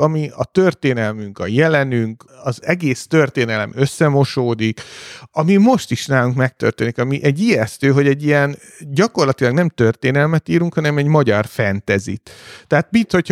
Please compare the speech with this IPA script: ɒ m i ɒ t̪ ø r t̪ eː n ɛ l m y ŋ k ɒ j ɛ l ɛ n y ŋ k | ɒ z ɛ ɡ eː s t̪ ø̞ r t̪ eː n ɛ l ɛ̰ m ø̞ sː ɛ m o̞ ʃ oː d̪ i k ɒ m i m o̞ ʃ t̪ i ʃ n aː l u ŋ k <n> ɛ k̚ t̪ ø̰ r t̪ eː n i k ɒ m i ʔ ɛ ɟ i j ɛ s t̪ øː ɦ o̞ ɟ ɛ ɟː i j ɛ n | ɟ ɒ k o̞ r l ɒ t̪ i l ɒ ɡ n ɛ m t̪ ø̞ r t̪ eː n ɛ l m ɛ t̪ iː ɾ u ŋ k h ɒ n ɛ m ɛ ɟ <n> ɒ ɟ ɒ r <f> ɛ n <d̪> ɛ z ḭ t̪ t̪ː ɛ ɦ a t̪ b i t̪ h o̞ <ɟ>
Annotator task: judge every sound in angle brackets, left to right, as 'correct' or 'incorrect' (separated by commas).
incorrect, incorrect, correct, incorrect, incorrect